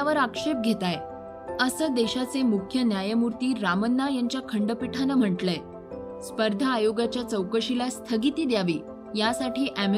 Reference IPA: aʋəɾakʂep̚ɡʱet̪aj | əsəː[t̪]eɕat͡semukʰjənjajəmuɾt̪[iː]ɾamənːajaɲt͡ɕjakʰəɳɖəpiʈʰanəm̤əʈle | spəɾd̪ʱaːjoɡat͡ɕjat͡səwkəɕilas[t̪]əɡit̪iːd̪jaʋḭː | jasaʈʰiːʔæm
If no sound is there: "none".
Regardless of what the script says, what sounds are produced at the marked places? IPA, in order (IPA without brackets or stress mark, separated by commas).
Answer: d̪, iː, t̪ʰ